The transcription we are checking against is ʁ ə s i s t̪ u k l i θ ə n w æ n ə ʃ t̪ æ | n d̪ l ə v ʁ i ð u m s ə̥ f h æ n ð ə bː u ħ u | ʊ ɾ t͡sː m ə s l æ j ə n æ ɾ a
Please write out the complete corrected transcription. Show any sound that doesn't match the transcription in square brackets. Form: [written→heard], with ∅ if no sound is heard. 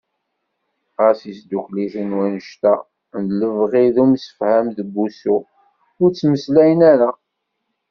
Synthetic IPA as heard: ʁ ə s i s [t̪→d̪] u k l i θ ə n w æ n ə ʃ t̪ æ | n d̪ l ə v ʁ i ð u m s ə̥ f h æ [n→m] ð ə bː u [ħ→s] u | ʊ ɾ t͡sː m ə s l æ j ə n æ ɾ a